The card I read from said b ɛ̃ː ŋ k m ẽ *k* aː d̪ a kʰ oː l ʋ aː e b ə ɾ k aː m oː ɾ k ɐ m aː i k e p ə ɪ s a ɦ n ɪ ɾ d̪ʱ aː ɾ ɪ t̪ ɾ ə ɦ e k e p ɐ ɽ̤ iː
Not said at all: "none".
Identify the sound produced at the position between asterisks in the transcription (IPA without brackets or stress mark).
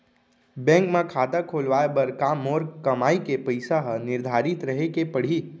kʰ